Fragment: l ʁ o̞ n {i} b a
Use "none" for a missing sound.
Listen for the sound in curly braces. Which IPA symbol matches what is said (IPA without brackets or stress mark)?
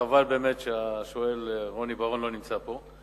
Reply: i